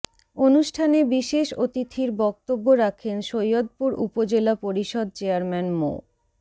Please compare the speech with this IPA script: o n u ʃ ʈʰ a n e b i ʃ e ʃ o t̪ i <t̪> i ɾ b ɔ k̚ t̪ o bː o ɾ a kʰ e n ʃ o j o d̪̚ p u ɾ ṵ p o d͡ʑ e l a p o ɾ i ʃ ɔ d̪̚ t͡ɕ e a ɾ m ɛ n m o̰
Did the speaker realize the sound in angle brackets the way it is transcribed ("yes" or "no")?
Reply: no